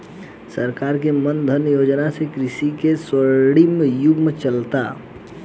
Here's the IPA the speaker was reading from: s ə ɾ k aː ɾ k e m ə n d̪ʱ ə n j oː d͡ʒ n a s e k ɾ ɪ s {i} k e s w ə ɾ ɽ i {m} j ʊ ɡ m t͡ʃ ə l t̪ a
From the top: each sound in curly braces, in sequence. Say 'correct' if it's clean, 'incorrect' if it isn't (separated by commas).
correct, correct